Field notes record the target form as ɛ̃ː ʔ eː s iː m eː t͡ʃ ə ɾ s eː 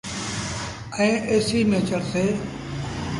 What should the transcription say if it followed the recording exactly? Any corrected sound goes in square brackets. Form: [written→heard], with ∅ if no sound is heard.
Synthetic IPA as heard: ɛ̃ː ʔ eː s iː m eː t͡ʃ ə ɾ s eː